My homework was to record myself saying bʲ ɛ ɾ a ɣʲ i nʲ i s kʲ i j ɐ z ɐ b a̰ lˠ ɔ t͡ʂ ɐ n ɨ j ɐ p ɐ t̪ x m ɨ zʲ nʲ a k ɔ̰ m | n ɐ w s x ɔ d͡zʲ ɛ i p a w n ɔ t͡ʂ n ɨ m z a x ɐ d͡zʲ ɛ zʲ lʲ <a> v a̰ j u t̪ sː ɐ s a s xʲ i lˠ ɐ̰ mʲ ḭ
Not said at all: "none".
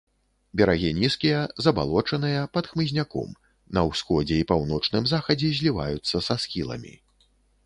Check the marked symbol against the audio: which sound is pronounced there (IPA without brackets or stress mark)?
i